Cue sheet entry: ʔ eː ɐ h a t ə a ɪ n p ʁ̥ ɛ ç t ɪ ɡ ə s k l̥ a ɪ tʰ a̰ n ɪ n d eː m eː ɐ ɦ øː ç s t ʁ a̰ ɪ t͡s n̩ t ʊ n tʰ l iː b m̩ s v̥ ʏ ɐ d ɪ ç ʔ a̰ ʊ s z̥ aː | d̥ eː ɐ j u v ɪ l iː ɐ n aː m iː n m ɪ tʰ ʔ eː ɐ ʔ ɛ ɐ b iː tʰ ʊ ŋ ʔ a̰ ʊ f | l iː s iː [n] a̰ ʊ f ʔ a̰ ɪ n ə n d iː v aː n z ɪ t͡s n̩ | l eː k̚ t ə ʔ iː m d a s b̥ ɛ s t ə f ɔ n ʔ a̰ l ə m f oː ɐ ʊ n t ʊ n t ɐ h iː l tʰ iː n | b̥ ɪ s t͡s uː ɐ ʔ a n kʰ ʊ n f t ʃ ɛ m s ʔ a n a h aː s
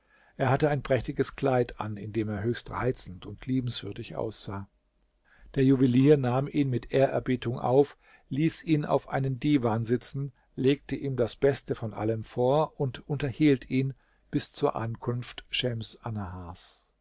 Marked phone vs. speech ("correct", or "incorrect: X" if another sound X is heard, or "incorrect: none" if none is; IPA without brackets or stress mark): correct